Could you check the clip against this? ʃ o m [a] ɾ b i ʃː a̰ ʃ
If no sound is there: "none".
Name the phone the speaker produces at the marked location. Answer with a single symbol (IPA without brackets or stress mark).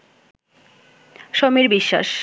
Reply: i